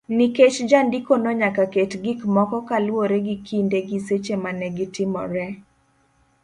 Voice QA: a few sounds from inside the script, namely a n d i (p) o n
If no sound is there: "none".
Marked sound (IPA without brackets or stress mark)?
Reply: k